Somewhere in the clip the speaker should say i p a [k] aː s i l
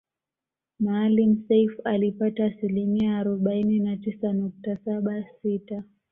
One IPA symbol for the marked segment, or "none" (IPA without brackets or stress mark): t